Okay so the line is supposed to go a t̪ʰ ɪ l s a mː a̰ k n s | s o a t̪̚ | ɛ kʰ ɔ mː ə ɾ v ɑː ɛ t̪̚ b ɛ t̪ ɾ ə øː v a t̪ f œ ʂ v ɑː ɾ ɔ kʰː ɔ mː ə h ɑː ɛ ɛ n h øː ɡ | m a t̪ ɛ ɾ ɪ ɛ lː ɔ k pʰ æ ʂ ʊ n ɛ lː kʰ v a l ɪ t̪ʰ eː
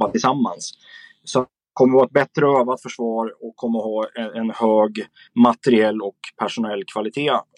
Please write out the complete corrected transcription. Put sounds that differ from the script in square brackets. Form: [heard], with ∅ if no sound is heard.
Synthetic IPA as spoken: a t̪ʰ ɪ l s a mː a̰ [∅] n s | s [ɔ] a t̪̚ | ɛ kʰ ɔ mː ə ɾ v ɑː ɛ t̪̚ b ɛ t̪ ɾ ə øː v a t̪ f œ ʂ v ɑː ɾ ɔ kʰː ɔ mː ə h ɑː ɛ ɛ n h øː ɡ | m a t̪ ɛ ɾ ɪ ɛ lː ɔ k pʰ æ ʂ ʊ n ɛ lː kʰ v a l ɪ t̪ʰ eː